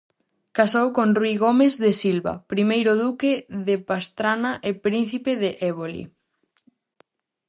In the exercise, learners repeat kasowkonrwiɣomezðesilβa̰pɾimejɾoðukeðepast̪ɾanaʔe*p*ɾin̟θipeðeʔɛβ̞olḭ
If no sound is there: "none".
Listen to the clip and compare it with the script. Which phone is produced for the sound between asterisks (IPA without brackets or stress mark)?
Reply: p